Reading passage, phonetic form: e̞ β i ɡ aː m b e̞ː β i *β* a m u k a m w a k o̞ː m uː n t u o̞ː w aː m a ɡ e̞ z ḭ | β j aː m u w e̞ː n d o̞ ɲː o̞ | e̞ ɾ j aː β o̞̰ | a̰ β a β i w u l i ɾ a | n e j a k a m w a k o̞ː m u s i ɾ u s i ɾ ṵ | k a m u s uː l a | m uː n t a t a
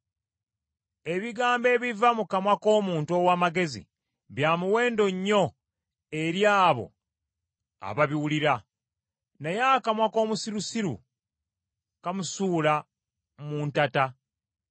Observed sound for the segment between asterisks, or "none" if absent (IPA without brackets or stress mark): v